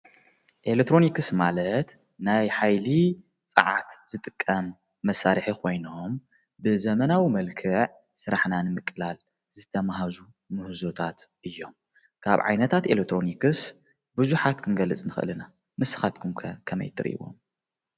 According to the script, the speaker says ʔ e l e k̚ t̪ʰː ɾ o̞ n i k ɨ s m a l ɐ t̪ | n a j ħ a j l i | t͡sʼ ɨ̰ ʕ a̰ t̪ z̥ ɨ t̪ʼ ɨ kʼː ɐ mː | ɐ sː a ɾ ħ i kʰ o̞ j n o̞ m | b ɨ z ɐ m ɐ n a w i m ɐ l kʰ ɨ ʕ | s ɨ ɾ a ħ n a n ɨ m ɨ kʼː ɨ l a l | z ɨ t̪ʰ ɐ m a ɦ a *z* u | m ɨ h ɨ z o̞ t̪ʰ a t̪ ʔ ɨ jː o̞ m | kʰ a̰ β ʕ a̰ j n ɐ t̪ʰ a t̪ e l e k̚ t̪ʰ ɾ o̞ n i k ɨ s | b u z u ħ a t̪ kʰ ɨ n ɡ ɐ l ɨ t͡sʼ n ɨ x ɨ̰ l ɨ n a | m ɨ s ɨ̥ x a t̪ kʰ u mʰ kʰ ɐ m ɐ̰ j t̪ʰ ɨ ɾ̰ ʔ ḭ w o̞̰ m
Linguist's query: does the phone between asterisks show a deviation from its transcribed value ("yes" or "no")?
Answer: no